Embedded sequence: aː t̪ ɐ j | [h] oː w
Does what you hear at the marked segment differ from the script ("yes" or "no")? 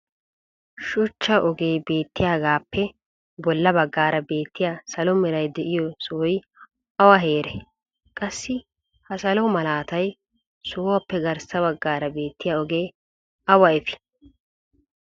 yes